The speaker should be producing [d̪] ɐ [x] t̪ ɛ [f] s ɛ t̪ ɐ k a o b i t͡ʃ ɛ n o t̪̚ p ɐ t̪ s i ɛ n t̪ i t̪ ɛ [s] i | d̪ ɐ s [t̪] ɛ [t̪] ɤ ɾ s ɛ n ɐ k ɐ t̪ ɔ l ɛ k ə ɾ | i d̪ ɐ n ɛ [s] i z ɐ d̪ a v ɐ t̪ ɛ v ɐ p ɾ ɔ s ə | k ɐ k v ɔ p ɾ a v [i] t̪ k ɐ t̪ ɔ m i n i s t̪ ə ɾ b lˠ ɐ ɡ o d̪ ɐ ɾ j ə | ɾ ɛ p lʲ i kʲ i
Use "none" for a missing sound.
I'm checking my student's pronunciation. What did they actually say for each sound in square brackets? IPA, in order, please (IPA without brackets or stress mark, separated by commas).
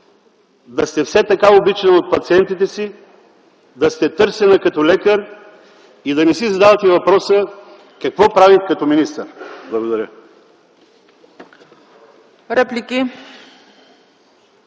d̪, s, f, s, t̪, t̪, s, i